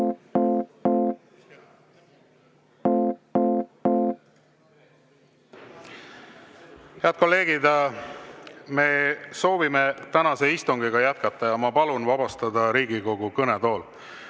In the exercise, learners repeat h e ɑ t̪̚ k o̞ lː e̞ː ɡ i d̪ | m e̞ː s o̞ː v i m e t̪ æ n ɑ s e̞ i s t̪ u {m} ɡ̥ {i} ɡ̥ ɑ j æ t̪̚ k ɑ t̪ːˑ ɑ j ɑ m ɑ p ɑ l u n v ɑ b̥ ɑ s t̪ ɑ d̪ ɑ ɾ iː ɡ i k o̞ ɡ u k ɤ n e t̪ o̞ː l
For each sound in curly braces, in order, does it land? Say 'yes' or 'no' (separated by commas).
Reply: no, yes